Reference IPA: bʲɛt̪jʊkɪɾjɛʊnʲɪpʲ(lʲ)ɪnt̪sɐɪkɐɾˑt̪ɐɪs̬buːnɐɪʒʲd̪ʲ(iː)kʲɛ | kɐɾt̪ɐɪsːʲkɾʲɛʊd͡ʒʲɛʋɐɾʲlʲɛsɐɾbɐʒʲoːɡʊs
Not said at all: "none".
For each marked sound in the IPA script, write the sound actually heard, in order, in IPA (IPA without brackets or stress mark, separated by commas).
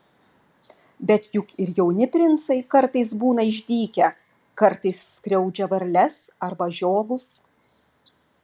ɾʲ, iː